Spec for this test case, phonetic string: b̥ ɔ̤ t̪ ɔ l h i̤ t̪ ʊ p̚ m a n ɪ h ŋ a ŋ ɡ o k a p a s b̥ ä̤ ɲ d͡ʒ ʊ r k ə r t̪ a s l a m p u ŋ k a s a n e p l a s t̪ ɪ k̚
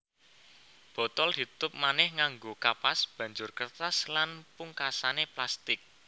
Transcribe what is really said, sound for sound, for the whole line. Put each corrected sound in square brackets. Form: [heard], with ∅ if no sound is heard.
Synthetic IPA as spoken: b̥ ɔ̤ t̪ ɔ l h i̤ t̪ ʊ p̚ m a n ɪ h ŋ a ŋ ɡ o k a p a s b̥ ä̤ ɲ d͡ʒ ʊ r k ə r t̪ a s l a [n] p u ŋ k a s a n e p l a s t̪ ɪ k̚